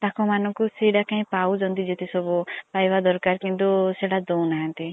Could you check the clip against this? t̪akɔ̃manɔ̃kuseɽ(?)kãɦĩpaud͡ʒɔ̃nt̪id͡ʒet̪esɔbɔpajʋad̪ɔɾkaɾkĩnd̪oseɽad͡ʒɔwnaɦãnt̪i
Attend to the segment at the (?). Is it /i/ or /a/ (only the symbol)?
a